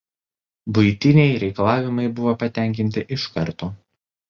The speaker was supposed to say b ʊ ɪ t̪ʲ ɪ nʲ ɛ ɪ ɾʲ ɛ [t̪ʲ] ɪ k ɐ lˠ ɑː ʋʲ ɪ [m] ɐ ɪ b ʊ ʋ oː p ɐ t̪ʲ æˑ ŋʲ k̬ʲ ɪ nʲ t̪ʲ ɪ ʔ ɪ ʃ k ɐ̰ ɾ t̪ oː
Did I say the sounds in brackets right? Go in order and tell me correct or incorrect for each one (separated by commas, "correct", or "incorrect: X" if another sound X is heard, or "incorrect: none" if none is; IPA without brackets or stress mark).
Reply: incorrect: none, correct